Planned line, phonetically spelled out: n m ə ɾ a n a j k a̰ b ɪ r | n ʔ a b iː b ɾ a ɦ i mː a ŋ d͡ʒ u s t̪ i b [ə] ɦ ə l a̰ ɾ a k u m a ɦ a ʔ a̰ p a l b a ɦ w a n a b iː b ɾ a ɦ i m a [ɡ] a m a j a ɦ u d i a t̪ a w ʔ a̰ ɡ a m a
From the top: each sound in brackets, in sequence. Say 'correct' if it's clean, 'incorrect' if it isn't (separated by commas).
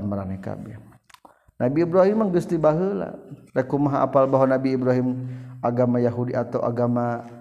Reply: incorrect, correct